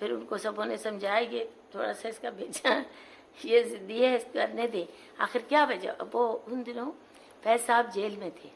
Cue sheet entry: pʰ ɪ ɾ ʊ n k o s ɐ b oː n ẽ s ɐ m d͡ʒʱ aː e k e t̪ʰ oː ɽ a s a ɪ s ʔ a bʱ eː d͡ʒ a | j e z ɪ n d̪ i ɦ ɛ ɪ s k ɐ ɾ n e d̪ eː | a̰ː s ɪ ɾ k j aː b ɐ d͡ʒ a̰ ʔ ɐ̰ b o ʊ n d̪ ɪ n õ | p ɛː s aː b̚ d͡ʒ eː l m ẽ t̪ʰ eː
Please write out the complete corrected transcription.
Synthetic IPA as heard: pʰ ɪ ɾ ʊ n k o s ɐ b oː n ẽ s ɐ m d͡ʒʱ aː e k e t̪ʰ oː ɽ a s a ɪ s k a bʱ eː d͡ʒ a | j e z ɪ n d̪ i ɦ ɛ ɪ s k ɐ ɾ n e d̪ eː | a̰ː x ɪ ɾ k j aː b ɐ d͡ʒ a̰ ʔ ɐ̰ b o ʊ n d̪ ɪ n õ | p ɛː s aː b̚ d͡ʒ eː l m ẽ t̪ʰ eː